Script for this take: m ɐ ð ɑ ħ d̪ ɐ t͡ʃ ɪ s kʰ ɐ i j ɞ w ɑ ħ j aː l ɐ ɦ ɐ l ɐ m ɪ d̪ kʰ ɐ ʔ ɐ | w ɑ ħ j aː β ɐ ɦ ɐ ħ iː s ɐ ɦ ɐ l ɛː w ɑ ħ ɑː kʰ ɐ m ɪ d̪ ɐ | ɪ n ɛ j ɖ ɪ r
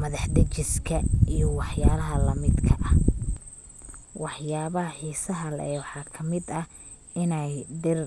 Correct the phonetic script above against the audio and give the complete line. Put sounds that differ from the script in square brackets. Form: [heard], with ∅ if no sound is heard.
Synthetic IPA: m ɐ ð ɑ ħ d̪ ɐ t͡ʃ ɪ s kʰ ɐ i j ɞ w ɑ ħ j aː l ɐ ɦ ɐ l ɐ m ɪ d̪ kʰ ɐ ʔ ɐ | w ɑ ħ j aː β ɐ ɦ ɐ ħ iː s ɐ ɦ ɐ l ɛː w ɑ ħ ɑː kʰ ɐ m ɪ d̪ ɐ | ɪ n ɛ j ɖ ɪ r